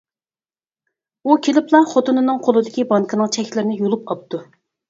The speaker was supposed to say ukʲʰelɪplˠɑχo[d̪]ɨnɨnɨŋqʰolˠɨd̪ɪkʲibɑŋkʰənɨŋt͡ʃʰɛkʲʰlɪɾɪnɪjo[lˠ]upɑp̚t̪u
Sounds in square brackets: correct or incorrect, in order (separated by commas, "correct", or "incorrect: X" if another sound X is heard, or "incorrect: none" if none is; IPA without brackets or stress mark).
incorrect: t̪, correct